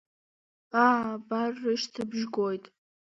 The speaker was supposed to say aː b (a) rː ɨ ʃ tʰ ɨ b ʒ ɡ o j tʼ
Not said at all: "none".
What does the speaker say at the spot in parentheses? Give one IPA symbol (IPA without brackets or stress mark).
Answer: a